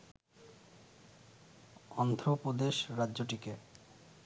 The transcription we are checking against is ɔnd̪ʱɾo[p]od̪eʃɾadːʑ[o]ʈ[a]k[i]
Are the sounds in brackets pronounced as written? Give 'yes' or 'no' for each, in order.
yes, yes, no, no

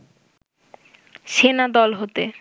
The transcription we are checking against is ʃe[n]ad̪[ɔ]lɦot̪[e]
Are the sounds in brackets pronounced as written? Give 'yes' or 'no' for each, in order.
yes, yes, yes

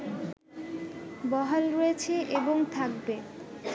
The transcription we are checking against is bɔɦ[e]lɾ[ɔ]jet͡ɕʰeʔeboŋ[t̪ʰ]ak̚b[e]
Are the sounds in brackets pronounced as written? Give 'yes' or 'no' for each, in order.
no, no, yes, yes

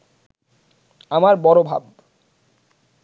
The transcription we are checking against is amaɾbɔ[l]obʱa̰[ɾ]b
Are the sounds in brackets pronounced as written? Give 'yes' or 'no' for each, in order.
no, no

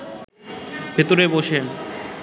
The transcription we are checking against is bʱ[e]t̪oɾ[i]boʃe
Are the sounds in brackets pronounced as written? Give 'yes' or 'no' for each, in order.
yes, no

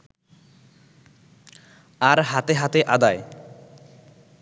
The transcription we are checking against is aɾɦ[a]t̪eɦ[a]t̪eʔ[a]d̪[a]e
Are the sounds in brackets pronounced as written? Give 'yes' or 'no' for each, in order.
yes, yes, yes, yes

